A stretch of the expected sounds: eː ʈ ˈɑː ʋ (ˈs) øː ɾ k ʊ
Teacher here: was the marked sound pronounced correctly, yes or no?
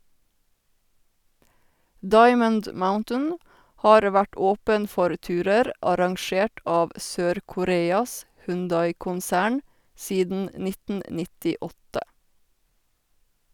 yes